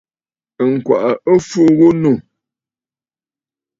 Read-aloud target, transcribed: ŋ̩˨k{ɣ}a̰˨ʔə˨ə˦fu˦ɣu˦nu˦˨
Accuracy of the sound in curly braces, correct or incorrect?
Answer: incorrect